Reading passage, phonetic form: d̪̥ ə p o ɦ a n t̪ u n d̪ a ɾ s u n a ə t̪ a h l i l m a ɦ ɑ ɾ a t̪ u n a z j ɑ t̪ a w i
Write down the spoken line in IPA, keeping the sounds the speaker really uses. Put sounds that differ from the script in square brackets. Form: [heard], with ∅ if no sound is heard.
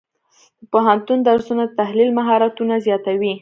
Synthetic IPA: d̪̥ ə p o ɦ a n t̪ u n d̪ a ɾ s u n a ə t̪ a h l i l m a ɦ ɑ ɾ a t̪ u n a z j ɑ t̪ a w i